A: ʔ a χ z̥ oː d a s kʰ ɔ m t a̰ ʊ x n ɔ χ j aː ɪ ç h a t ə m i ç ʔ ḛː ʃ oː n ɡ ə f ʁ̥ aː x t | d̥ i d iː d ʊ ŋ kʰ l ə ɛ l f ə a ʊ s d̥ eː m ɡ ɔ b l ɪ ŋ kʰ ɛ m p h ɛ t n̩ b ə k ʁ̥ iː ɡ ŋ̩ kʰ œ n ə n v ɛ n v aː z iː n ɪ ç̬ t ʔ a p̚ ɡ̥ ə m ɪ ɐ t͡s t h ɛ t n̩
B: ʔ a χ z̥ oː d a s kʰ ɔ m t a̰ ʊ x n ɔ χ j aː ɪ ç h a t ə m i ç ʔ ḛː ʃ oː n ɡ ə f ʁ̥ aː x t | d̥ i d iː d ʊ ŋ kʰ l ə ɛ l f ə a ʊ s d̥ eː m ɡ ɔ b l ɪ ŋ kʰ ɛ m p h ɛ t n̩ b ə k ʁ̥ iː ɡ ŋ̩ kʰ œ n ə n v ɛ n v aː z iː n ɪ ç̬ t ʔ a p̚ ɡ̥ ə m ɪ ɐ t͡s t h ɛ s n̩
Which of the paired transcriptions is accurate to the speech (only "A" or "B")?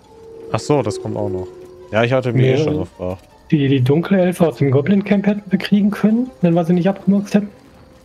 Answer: A